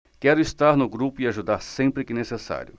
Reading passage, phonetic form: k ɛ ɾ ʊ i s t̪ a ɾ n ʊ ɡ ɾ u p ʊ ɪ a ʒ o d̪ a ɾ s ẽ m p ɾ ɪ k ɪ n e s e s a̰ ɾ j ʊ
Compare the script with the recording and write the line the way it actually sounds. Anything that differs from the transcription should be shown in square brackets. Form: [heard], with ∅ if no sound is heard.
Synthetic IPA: k ɛ ɾ ʊ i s t̪ a ɾ n ʊ ɡ ɾ u p ʊ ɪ a ʒ [u] d̪ a ɾ s ẽ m p ɾ ɪ k ɪ n e s e s a̰ ɾ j ʊ